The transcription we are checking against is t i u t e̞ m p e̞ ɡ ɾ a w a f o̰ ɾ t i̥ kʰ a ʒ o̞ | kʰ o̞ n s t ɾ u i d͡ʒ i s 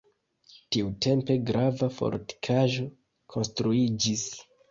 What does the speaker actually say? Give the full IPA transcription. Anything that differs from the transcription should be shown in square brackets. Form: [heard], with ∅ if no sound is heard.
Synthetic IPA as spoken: t i u t e̞ m p e̞ ɡ ɾ a [v] a f o̰ ɾ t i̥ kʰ a ʒ o̞ | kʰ o̞ n s t ɾ u i d͡ʒ i s

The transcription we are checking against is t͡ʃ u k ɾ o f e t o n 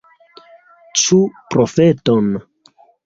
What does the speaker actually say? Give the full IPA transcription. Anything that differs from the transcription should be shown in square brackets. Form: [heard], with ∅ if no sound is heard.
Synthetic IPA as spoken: t͡ʃ u [p] ɾ o f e t o n

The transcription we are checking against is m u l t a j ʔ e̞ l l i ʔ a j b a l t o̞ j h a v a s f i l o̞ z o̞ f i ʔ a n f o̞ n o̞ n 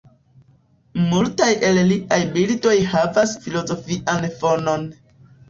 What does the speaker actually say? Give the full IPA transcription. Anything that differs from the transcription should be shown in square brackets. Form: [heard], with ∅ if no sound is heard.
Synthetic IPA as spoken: m u l t a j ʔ e̞ l l i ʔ a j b [i] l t o̞ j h a v a s f i l o̞ z o̞ f i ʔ a n f o̞ n o̞ n

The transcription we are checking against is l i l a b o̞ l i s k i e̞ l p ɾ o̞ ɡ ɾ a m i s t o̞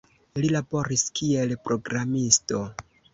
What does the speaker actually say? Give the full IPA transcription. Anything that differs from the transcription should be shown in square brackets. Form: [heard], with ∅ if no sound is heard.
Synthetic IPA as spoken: l i l a b o̞ [ɾ] i s k i e̞ l p ɾ o̞ ɡ ɾ a m i s t o̞

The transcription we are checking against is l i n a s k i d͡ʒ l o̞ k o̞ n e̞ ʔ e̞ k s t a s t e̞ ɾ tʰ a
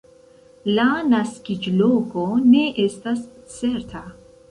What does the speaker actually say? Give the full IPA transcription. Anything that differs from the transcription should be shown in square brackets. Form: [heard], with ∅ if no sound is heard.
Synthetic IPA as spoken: l [a] n a s k i d͡ʒ l o̞ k o̞ n e̞ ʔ e̞ [∅] s t a s [t͡s] e̞ ɾ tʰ a

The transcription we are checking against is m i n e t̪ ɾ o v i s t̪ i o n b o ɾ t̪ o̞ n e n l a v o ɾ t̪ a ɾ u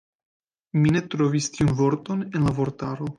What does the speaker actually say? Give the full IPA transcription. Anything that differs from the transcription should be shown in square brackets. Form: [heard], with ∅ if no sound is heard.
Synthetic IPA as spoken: m i n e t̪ ɾ o v i s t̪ i [u] n [v] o ɾ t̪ o̞ n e n l a v o ɾ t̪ a ɾ [o]

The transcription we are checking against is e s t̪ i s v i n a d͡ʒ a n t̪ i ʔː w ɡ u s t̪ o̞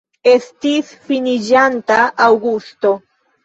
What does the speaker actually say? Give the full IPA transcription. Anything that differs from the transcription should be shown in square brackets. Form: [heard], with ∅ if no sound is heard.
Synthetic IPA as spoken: e s t̪ i s [f] i n [i] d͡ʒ a n t̪ [a] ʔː w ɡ u s t̪ o̞

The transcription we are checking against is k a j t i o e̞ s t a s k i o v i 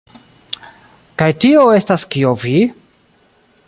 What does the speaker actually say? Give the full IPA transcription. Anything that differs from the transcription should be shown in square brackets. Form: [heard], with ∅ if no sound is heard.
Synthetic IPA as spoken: k a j t i o e̞ s t a s k i o v i

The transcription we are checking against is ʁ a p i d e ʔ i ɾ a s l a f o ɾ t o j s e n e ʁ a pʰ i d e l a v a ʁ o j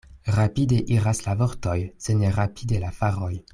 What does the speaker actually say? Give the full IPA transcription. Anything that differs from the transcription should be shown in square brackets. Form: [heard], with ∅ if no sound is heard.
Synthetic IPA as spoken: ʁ a p i d e ʔ i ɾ a s l a [v] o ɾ t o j s e n e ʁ a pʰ i d e l a [f] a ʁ o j

